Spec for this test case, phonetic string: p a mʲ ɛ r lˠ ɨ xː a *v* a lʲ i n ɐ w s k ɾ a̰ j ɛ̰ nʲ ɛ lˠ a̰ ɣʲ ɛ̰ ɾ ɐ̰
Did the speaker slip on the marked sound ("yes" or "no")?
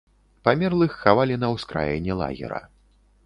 no